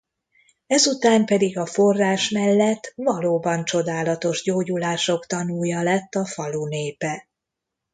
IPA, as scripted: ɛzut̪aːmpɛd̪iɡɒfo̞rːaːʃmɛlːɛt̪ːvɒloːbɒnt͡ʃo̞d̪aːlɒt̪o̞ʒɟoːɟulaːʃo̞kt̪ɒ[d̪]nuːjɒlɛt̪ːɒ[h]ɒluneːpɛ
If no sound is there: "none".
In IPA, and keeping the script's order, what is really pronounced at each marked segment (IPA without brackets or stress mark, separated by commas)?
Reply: none, f